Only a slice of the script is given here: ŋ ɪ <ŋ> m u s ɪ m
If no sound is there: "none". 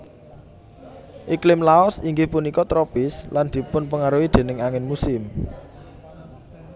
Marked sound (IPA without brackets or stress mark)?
n